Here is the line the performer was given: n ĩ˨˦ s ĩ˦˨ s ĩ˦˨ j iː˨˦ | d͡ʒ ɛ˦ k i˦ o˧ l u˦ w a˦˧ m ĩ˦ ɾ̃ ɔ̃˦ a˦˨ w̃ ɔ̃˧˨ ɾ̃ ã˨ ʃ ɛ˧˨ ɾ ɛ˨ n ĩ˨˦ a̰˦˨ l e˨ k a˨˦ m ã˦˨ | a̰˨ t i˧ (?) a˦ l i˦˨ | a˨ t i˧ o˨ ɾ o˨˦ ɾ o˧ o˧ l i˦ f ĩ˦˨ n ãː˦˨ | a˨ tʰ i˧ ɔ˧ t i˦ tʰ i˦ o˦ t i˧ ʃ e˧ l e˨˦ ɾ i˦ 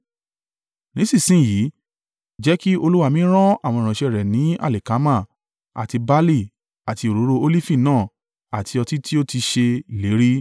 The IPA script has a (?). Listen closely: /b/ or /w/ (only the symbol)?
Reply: b